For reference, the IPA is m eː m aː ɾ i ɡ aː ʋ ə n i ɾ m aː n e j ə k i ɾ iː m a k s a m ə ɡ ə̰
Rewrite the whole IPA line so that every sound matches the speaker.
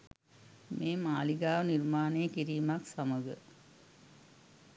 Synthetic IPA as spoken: m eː m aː l i ɡ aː ʋ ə n i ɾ m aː n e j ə k i ɾ iː m a k s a m ə ɡ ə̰